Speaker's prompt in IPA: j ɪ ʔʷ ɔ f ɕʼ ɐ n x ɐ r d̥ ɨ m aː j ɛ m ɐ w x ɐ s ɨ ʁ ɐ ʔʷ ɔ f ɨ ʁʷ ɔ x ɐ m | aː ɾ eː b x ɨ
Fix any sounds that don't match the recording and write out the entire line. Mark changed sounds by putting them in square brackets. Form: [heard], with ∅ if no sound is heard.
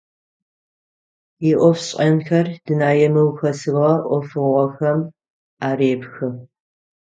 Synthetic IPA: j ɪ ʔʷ ɔ f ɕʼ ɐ n x ɐ r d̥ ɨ [n] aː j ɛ m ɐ w x ɐ s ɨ ʁ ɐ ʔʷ ɔ f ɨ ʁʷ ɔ x ɐ m | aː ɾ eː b x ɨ

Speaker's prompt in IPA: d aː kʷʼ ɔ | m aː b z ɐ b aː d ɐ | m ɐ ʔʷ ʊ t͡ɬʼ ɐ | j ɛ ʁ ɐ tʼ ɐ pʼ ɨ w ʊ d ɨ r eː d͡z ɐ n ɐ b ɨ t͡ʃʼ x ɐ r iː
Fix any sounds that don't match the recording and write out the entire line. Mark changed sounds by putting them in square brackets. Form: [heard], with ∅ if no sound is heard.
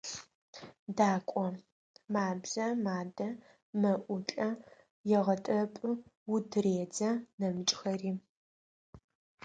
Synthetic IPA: d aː kʷʼ ɔ | m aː b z ɐ [m] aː d ɐ | m ɐ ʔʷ ʊ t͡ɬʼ ɐ | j ɛ ʁ ɐ tʼ ɐ pʼ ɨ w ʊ d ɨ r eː d͡z ɐ n ɐ [m] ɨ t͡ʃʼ x ɐ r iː

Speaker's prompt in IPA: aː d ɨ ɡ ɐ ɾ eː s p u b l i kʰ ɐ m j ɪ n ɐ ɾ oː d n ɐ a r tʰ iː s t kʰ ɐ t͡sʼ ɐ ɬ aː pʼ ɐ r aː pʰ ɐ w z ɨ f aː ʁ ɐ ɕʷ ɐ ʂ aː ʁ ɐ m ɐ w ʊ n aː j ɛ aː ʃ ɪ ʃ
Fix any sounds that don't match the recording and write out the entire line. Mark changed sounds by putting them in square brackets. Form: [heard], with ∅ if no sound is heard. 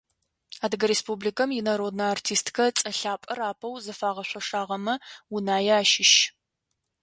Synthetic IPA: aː d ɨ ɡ ɐ ɾ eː s p u b l i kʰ ɐ m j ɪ n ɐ ɾ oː d n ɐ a r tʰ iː s t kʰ ɐ t͡sʼ ɐ ɬ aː pʼ ɐ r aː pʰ ɐ w z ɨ f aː ʁ ɐ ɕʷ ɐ ʂ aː ʁ ɐ m ɐ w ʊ n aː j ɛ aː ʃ ɪ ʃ

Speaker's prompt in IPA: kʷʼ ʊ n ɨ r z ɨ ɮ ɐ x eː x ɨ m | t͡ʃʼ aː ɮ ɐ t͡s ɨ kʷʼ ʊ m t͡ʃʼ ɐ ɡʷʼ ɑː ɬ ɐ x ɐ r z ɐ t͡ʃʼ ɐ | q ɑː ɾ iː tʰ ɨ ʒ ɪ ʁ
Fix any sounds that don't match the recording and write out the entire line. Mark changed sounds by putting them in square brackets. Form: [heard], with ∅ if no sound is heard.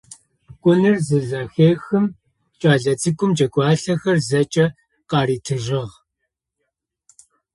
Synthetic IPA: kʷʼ ʊ n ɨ r z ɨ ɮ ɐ x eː x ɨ m | t͡ʃʼ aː ɮ ɐ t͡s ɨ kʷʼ ʊ m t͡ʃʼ ɐ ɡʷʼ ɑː ɬ ɐ x ɐ r z ɐ t͡ʃʼ ɐ | q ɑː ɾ iː tʰ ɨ ʒ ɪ ʁ

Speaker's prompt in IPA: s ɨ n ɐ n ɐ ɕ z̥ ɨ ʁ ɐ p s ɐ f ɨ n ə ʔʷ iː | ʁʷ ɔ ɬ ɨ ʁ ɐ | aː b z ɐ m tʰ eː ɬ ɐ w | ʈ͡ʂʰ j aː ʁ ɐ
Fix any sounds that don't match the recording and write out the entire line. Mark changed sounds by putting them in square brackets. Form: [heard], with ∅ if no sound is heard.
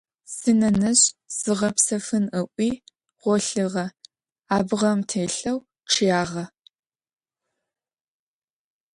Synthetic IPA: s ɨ n ɐ n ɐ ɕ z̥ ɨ ʁ ɐ p s ɐ f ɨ n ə ʔʷ iː | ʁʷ ɔ ɬ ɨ ʁ ɐ | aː b [ʁ] ɐ m tʰ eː ɬ ɐ w | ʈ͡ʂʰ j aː ʁ ɐ

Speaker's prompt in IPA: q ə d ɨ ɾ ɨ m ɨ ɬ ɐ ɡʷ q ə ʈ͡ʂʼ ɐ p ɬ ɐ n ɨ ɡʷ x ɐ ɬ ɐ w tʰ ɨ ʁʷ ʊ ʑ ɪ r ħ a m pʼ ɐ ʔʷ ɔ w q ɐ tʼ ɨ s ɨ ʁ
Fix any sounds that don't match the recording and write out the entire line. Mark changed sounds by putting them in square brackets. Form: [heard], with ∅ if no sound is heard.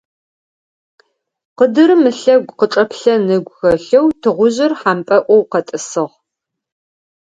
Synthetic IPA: q ə d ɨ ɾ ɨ m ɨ ɬ ɐ ɡʷ q ə ʈ͡ʂʼ ɐ p ɬ ɐ n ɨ ɡʷ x ɐ ɬ ɐ w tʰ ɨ ʁʷ ʊ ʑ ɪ r ħ a m pʼ ɐ ʔʷ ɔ w q ɐ tʼ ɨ s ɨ ʁ

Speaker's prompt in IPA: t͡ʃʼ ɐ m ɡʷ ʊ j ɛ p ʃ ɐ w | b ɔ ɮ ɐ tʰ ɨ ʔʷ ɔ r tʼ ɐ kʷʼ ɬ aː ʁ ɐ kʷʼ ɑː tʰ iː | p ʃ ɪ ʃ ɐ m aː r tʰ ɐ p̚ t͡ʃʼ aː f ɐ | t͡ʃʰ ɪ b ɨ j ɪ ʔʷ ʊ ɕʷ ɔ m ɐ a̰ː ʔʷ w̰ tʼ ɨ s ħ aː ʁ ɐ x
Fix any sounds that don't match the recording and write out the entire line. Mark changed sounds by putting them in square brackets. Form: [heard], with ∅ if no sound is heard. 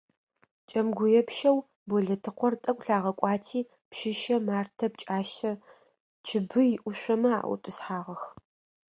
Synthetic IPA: t͡ʃʼ ɐ m ɡʷ ʊ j ɛ p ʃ ɐ w | b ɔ ɮ ɐ tʰ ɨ [qʷ] ɔ r tʼ ɐ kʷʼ ɬ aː ʁ ɐ kʷʼ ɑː tʰ iː | p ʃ ɪ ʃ ɐ m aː r tʰ ɐ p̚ t͡ʃʼ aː [ʃ] ɐ | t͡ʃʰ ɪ b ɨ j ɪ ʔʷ ʊ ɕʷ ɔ m ɐ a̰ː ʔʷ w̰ tʼ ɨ s ħ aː ʁ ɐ x

